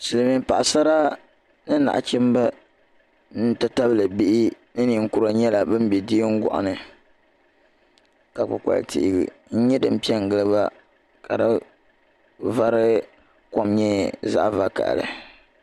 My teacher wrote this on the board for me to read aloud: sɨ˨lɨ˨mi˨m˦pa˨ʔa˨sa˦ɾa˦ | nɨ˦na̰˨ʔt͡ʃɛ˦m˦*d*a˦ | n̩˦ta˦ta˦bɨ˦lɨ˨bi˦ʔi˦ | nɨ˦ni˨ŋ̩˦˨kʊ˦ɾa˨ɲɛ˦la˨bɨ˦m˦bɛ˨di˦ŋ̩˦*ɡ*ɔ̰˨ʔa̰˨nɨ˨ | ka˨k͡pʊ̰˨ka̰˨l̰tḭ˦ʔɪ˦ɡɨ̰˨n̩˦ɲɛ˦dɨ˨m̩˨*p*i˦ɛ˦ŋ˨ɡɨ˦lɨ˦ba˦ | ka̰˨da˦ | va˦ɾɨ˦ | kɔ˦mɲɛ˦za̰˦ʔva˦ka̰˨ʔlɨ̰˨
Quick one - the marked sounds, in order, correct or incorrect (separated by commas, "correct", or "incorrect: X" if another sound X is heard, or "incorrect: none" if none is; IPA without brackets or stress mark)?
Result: incorrect: b, correct, correct